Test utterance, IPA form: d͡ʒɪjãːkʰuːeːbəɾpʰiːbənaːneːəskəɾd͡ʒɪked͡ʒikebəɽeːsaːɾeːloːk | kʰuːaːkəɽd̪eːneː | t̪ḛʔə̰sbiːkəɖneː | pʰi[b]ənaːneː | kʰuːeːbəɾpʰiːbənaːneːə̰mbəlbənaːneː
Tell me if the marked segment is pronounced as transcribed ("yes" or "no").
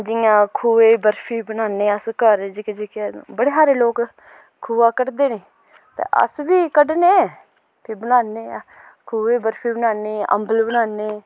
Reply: yes